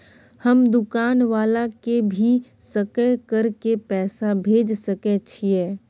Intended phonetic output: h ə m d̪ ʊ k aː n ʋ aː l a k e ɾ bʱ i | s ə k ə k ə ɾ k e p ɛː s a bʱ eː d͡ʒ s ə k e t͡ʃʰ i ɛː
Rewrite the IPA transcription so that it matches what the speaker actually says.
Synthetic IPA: h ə m d̪ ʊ k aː n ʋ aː l a k e bʱ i | s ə k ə k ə ɾ k e p ɛː s a bʱ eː d͡ʒ s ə k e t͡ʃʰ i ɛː